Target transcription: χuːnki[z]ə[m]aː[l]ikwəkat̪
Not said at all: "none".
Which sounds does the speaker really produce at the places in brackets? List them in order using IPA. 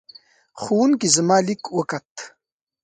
z, m, l

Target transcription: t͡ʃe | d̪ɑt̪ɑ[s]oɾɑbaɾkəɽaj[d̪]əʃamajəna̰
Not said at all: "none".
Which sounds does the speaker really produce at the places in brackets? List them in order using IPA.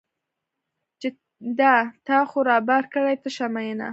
x, t̪

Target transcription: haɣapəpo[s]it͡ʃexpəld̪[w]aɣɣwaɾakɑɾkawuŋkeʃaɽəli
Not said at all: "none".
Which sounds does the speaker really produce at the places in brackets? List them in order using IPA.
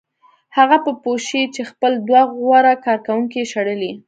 ʃ, w

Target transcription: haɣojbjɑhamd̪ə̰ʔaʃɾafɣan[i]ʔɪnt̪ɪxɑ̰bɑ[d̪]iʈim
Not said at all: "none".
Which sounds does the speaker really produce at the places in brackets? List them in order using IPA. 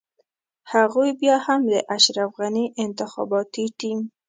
i, t̪

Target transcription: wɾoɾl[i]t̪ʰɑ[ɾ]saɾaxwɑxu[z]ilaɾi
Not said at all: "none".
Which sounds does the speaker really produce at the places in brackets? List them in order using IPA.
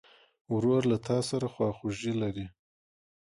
a, none, ʒ

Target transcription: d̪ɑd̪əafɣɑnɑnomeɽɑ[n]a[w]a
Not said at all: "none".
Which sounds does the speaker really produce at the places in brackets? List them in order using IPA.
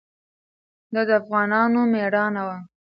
n, w

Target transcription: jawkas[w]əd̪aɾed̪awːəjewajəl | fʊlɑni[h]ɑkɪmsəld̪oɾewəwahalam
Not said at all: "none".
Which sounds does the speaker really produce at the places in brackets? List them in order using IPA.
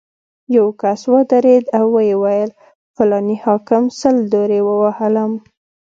w, h

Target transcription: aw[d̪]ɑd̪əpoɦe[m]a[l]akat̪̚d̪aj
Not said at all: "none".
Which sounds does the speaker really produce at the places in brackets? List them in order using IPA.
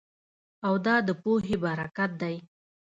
d̪, b, ɾ

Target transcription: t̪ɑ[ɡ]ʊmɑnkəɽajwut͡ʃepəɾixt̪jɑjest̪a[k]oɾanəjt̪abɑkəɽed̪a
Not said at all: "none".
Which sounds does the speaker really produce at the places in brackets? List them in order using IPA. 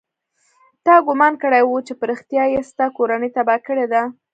ɡ, k

